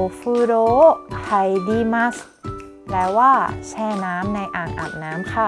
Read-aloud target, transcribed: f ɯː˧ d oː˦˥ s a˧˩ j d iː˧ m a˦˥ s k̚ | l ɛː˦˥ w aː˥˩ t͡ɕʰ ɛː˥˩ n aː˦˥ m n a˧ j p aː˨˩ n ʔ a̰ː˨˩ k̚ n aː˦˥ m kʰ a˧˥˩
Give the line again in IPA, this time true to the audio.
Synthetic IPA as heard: f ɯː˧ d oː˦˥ h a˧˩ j d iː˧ m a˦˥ s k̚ | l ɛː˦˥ w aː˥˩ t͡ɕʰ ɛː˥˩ n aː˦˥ m n a˧ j ʔ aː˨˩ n ʔ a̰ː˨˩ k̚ n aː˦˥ m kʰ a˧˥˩

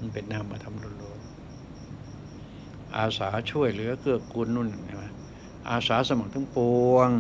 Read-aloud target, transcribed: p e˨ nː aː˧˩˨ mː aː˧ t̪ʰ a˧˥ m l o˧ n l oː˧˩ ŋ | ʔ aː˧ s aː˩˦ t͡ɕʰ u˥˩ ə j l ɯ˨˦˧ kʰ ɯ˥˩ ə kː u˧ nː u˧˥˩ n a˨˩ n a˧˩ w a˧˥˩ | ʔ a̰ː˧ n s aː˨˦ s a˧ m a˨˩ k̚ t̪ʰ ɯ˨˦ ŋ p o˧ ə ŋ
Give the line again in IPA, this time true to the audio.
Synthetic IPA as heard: p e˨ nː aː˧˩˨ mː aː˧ t̪ʰ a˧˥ m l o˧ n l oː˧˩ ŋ | ʔ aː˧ s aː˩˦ t͡ɕʰ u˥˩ ə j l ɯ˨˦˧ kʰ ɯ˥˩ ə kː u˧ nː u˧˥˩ n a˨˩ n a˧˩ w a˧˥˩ | ʔ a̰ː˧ s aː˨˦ s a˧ m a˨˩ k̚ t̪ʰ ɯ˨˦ ŋ p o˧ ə ŋ

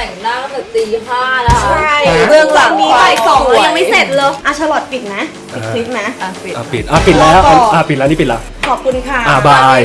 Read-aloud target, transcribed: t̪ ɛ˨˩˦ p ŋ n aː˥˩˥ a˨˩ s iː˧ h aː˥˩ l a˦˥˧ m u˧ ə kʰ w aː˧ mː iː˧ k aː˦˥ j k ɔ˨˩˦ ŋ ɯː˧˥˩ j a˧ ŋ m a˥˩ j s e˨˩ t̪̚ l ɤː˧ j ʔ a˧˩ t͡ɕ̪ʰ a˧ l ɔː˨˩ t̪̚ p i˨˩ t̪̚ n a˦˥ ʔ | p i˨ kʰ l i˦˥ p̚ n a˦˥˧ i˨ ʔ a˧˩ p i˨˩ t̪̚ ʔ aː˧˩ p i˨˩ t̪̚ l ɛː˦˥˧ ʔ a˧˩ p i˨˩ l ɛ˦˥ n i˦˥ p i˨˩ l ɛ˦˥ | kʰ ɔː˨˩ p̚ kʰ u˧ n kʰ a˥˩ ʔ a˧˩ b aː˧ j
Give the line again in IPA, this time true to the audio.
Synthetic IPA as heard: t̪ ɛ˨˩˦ ŋ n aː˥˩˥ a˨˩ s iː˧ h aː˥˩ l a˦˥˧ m ɯ˧ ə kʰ w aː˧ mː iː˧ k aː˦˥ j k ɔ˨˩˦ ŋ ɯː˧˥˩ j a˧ ŋ m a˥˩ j s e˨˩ t̪̚ l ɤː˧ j ʔ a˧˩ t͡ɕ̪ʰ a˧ l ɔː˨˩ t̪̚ p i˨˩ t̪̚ n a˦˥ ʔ | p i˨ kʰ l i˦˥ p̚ n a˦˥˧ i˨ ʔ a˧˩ p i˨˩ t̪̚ ʔ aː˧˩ p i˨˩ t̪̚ l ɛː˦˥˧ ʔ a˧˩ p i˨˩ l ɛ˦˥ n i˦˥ p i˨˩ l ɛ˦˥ | kʰ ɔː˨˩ p̚ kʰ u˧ n kʰ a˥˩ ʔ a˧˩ b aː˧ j

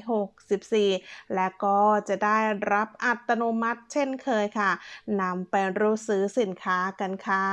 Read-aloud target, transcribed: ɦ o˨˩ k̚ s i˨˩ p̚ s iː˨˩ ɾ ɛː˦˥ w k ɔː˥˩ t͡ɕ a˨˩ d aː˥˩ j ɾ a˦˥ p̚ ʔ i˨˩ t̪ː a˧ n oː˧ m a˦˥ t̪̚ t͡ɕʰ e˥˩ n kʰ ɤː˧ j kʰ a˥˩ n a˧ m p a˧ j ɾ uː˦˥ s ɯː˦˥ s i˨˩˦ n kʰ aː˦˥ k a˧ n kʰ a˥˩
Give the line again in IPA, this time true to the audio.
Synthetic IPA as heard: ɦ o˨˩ k̚ s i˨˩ p̚ s iː˨˩ l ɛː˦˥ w k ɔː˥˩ t͡ɕ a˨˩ d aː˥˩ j ɾ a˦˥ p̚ ʔ a˨˩ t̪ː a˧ n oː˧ m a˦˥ t̪̚ t͡ɕʰ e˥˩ n kʰ ɤː˧ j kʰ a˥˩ n a˧ m p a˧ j ɾ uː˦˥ s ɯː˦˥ s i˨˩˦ n kʰ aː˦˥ k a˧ n kʰ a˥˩

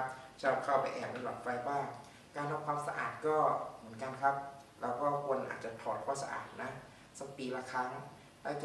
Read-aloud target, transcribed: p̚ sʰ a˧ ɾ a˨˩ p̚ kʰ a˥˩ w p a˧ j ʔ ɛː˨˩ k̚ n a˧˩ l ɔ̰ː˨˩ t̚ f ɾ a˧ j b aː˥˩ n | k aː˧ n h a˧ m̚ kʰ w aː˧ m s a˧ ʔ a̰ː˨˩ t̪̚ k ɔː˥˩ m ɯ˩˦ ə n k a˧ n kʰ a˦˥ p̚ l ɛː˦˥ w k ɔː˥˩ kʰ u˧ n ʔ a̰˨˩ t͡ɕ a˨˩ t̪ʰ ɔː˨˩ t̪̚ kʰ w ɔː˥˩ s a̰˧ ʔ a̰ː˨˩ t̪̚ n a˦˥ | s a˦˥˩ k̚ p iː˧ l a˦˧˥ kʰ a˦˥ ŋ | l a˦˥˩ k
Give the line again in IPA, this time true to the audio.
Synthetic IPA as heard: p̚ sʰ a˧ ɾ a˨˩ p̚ kʰ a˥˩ w p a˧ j ʔ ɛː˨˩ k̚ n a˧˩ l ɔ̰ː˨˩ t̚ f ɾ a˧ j b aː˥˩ ŋ | k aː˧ n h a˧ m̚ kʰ w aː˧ m s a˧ ʔ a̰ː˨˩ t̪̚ k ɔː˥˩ m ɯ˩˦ ə n k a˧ n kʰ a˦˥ p̚ l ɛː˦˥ w k ɔː˥˩ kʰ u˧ n ʔ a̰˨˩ t͡ɕ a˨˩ t̪ʰ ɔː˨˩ t̪̚ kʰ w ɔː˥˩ s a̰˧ ʔ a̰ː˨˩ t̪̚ n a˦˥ | s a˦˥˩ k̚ p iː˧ l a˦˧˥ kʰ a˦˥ ŋ | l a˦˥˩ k

